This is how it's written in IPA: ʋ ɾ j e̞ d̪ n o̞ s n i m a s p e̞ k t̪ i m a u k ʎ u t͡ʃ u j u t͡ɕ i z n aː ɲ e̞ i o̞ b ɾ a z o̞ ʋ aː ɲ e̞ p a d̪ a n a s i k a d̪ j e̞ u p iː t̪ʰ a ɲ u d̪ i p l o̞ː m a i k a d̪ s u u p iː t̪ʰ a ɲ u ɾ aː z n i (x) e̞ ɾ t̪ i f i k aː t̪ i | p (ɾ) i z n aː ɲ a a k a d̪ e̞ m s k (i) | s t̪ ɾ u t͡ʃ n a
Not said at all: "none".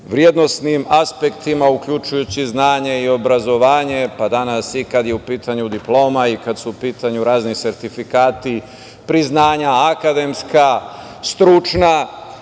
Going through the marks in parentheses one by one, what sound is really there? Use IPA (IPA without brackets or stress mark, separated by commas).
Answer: s, ɾ, a